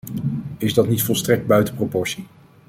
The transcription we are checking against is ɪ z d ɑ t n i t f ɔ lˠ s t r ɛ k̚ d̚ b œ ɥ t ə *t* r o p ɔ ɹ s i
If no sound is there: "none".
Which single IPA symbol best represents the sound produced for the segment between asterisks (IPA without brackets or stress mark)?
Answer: p